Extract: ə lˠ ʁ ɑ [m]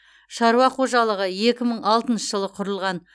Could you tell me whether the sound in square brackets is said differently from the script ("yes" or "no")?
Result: yes